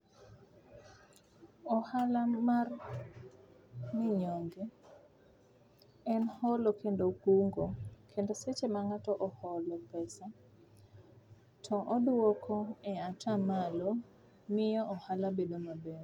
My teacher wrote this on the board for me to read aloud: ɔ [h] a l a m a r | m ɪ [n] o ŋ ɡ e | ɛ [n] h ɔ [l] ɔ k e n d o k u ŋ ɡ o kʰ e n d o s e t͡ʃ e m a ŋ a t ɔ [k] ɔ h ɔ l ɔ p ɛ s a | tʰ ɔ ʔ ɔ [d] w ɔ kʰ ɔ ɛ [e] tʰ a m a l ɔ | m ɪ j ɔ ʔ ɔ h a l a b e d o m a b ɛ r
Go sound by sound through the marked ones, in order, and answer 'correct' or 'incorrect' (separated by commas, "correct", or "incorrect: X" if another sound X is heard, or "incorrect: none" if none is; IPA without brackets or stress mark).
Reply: correct, incorrect: ɲ, correct, correct, incorrect: ʔ, correct, incorrect: a